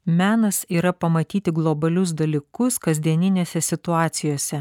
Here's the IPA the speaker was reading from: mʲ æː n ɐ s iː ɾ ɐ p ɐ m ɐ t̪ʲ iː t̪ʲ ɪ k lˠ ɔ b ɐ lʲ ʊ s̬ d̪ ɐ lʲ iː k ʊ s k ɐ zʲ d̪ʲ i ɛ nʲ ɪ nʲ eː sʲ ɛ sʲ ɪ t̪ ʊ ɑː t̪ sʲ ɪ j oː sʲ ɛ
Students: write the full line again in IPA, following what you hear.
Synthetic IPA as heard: mʲ æː n ɐ s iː ɾ ɐ p ɐ m ɐ t̪ʲ iː t̪ʲ ɪ ɡ lˠ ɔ b ɐ lʲ ʊ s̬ d̪ ɐ lʲ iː k ʊ s k ɐ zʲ d̪ʲ i ɛ nʲ ɪ nʲ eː sʲ ɛ sʲ ɪ t̪ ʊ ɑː t̪ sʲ ɪ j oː sʲ ɛ